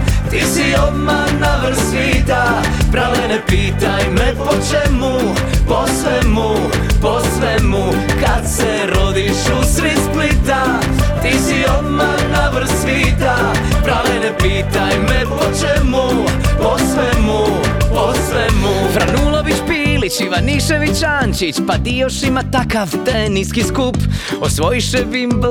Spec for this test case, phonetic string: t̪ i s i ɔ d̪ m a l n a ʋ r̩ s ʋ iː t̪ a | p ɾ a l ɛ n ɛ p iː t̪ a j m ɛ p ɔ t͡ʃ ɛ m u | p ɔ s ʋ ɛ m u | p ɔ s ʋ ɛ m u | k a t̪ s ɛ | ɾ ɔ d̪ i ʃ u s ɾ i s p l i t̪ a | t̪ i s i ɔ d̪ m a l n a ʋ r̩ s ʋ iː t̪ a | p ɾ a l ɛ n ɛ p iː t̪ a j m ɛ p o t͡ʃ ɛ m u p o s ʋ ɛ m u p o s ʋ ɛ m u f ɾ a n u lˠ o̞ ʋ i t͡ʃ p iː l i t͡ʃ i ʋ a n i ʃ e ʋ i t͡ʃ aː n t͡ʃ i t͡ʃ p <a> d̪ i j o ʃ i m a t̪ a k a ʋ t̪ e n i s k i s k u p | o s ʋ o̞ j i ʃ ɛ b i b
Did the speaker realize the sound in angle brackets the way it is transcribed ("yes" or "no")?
yes